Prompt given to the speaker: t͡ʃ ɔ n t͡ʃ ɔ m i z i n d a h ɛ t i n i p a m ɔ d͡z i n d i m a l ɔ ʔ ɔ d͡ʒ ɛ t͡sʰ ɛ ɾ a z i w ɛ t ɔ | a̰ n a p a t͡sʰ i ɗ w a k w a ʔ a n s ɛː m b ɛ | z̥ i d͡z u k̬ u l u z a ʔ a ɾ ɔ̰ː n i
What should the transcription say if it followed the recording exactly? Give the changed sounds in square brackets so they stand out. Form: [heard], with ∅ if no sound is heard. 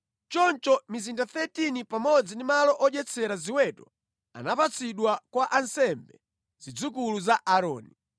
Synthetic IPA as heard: t͡ʃ ɔ n t͡ʃ ɔ m i z i n d a [θ] ɛ t i n i p a m ɔ d͡z i n d i m a l ɔ ʔ ɔ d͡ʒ ɛ t͡sʰ ɛ ɾ a z i w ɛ t ɔ | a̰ n a p a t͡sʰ i ɗ w a k w a ʔ a n s [ɛ] m b ɛ | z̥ i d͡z u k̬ u l u z a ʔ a ɾ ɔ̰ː n i

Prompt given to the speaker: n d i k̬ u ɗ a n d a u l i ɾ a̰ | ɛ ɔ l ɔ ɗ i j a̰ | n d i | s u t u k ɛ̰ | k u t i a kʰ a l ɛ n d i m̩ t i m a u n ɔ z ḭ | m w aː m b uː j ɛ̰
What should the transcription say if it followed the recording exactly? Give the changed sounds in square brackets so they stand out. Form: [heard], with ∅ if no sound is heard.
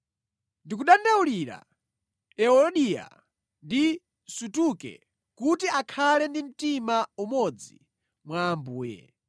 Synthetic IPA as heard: n d i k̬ u ɗ a n d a u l i ɾ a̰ | ɛ ɔ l ɔ ɗ i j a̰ | n d i | s u t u k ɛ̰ | k u t i a kʰ a l ɛ n d i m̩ t i m a u [m] ɔ [d͡z] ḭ | m w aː m b uː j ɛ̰

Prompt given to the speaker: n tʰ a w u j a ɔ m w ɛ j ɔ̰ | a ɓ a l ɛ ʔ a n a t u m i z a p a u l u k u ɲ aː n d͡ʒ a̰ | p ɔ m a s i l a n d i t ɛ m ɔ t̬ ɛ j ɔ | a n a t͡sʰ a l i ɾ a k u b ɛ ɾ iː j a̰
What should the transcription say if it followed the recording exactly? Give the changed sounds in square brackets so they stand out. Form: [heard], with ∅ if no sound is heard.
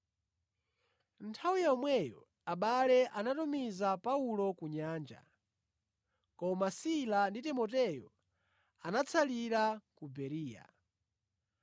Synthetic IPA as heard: n tʰ a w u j a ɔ m w ɛ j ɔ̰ | a ɓ a l ɛ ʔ a n a t u m i z a p a u l [ɔ] k u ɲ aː n d͡ʒ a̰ | [k] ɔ m a s i l a n d i t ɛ m ɔ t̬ ɛ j ɔ | a n a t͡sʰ a l i ɾ a k u b ɛ ɾ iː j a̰

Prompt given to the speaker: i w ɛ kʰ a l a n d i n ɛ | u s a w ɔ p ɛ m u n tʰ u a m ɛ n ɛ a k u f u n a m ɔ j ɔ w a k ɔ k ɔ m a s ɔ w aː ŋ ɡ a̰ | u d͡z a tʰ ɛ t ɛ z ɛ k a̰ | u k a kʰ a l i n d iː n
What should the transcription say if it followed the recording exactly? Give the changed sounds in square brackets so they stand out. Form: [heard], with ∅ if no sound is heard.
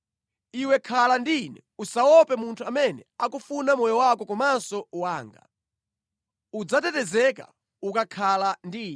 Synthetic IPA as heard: i w ɛ kʰ a l a n d i n ɛ | u s a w ɔ p ɛ m u n tʰ u a m ɛ n ɛ a k u f u n a m ɔ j ɔ w a k ɔ k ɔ m a s ɔ w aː ŋ ɡ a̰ | u d͡z a [t] ɛ t ɛ z ɛ k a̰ | u k a kʰ a l [a] n d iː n

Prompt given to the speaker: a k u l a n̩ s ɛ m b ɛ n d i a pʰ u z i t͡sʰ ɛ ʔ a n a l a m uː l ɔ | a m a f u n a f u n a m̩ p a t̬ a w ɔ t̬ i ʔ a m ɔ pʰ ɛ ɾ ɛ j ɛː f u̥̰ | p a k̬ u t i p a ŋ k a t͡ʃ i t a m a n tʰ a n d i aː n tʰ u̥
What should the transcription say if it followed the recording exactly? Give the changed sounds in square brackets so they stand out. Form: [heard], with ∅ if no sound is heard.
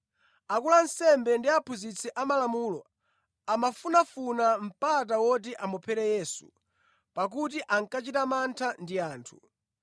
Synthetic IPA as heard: a k u l a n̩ s ɛ m b ɛ n d i a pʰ u z i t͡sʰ ɛ ʔ a [m] a l a m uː l ɔ | a m a f u n a f u n a m̩ p a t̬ a w ɔ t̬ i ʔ a m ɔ pʰ ɛ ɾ ɛ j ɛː [s] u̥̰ | p a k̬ u t i [ʔ] a ŋ k a t͡ʃ i t a m a n tʰ a n d i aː n tʰ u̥

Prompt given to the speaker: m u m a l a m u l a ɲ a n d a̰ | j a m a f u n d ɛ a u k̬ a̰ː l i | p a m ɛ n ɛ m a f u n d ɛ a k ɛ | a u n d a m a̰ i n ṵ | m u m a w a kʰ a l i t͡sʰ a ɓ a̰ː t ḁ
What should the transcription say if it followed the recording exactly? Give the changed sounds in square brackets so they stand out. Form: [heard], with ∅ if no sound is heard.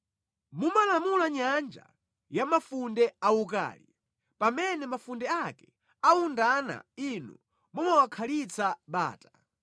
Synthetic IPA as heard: m u m a l a m u l a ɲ a n [d͡ʒ] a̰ | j a m a f u n d ɛ a u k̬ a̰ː l i | p a m ɛ n ɛ m a f u n d ɛ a k ɛ | a u n d a [n] a̰ i n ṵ | m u m a w a kʰ a l i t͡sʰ a ɓ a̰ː t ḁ

